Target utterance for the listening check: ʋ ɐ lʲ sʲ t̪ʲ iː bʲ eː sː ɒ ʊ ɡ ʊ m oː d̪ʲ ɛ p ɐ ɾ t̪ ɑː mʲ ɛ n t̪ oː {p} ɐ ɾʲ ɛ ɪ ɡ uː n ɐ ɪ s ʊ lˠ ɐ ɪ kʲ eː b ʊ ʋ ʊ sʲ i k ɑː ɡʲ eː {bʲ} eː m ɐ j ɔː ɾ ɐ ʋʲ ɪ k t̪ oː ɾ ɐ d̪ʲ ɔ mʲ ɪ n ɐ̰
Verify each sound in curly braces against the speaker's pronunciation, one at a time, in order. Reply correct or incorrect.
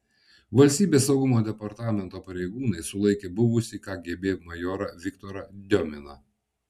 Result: correct, correct

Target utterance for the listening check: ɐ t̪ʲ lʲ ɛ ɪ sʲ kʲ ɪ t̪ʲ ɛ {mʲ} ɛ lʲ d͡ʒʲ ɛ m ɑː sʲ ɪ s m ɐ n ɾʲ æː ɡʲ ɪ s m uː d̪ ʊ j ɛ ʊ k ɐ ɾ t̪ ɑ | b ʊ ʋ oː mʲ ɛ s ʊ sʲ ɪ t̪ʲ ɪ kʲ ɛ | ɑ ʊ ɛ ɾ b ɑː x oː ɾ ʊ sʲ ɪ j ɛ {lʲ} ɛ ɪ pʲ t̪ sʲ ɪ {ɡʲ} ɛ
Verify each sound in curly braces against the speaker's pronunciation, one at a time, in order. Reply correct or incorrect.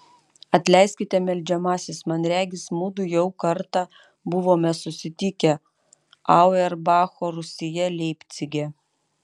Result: correct, correct, correct

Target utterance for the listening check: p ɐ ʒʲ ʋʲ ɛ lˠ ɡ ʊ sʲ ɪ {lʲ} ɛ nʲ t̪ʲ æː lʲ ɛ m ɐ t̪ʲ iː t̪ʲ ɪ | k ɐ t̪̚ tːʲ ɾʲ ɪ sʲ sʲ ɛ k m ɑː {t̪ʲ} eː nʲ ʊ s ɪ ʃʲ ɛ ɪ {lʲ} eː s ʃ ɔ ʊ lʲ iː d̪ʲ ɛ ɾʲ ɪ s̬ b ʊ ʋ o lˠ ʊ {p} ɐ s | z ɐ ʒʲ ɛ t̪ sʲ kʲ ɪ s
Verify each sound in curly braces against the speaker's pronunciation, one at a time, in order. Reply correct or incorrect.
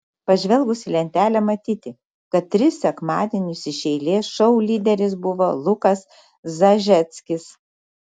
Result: correct, incorrect: d̪ʲ, correct, incorrect: k

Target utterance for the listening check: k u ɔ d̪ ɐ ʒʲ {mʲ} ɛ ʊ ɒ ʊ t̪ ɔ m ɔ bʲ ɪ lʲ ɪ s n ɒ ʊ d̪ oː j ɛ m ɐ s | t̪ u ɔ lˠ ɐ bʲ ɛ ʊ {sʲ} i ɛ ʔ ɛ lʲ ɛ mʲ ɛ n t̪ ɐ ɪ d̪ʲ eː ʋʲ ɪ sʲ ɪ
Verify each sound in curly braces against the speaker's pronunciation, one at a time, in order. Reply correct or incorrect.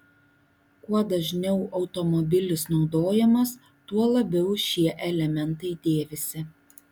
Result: incorrect: nʲ, incorrect: ʃʲ

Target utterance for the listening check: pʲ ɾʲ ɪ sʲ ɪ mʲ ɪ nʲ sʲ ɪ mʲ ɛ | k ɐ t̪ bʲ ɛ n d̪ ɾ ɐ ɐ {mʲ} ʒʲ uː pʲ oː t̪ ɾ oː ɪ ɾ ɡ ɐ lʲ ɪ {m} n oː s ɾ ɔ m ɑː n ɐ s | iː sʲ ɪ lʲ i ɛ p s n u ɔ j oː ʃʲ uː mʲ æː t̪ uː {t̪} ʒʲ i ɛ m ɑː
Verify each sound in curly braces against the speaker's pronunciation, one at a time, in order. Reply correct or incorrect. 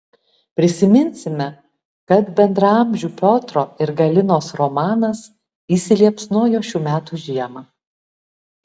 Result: correct, incorrect: none, incorrect: none

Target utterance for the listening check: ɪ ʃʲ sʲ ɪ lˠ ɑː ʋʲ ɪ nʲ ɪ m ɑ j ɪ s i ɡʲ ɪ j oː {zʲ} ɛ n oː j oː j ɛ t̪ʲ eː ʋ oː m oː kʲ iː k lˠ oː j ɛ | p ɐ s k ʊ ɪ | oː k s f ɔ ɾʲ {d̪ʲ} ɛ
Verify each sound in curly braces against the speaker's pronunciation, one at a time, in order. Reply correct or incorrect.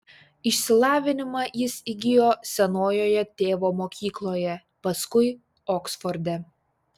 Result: incorrect: sʲ, correct

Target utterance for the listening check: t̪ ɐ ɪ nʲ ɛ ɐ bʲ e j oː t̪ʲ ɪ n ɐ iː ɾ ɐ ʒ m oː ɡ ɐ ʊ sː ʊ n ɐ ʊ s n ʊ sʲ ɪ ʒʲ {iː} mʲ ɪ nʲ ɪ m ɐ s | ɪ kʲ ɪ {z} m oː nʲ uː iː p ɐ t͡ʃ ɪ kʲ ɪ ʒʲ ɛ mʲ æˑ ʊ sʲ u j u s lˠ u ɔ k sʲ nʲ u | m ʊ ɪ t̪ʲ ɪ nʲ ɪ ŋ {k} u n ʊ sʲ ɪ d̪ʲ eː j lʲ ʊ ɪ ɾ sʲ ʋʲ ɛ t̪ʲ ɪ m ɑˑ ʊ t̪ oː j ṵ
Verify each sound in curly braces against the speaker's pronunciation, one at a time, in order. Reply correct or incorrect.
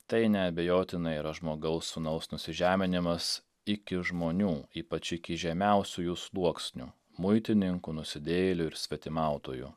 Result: incorrect: æː, incorrect: ʒ, correct

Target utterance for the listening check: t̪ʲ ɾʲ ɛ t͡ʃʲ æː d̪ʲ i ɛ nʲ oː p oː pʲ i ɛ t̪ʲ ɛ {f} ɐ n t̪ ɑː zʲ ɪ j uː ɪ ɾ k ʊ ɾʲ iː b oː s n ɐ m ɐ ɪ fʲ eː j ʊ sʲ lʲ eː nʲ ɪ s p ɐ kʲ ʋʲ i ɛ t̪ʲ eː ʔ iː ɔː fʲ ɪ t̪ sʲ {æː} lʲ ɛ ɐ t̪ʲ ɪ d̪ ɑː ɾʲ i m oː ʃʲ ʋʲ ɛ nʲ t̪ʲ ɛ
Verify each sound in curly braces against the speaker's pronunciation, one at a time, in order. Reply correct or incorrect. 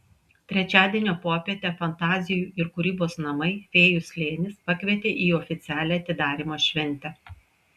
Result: correct, correct

